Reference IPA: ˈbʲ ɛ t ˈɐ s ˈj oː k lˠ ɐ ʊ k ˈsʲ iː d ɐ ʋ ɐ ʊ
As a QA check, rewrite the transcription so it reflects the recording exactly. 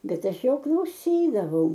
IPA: ˈbʲ ɛ t ˈɐ ʃ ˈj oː k lˠ ɐ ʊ ˈsʲ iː d ɐ ʋ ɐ ʊ